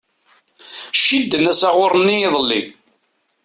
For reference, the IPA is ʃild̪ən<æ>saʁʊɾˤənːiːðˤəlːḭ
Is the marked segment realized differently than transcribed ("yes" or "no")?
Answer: no